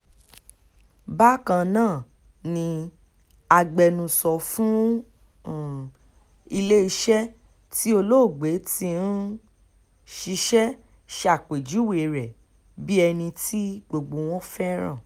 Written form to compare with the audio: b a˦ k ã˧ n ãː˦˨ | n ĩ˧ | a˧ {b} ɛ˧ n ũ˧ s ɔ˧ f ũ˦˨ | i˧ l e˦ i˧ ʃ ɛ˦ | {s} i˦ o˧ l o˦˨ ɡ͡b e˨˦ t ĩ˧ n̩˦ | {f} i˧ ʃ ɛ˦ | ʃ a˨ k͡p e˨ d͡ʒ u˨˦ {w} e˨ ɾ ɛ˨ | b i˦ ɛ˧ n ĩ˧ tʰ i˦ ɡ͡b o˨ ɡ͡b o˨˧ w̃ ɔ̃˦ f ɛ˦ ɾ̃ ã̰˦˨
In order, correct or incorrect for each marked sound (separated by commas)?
incorrect, incorrect, incorrect, correct